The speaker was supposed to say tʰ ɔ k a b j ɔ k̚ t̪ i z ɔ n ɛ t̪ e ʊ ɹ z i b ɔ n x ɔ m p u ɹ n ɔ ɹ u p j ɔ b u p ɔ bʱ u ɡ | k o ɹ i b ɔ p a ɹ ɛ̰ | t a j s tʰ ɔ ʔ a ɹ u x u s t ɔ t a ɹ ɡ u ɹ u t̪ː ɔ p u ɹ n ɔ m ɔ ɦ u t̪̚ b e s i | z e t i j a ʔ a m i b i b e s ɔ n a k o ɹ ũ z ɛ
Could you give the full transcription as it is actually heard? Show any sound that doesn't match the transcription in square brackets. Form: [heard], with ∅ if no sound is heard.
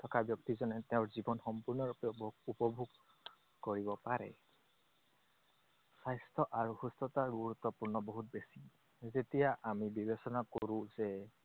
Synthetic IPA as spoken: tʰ ɔ k a b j ɔ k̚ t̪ i z ɔ n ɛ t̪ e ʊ ɹ z i b ɔ n x ɔ m p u ɹ n ɔ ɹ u p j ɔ b u p ɔ bʱ u ɡ | k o ɹ i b ɔ p a ɹ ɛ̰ | [s] a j s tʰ ɔ ʔ a ɹ u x u s t ɔ t a ɹ ɡ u ɹ u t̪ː ɔ p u ɹ n ɔ [b] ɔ ɦ u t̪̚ b e s i | z e t i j a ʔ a m i b i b e s ɔ n a k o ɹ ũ z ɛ